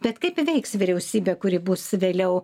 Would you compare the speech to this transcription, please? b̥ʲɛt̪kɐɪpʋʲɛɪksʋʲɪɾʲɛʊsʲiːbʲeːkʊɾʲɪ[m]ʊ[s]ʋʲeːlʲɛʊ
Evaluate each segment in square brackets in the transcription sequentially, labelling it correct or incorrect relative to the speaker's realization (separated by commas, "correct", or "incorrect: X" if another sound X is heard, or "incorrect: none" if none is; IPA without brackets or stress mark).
incorrect: b, correct